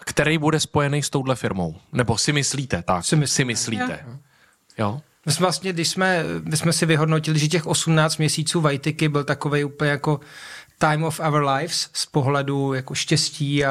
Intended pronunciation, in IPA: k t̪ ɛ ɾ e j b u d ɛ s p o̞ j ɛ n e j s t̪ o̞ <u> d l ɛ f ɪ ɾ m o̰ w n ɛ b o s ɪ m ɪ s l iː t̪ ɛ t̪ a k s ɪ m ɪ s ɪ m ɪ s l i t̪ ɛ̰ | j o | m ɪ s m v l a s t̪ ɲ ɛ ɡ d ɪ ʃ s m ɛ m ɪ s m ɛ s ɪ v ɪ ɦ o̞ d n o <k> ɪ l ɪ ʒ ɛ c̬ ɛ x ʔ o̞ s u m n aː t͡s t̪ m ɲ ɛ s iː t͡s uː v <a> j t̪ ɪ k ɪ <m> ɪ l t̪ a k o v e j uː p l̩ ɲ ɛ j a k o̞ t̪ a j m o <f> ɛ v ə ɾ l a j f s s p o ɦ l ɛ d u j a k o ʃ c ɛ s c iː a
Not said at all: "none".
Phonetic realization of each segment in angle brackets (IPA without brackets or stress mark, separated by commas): w, c, a, b, f